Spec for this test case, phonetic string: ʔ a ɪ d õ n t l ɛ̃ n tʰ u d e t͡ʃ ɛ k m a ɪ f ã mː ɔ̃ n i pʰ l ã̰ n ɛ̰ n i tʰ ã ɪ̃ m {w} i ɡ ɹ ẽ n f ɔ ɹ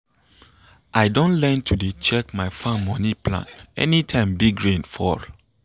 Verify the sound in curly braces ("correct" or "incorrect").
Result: incorrect